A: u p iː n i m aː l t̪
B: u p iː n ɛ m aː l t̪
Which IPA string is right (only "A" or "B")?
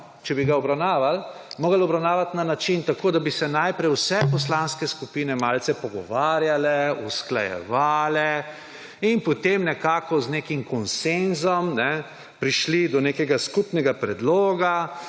B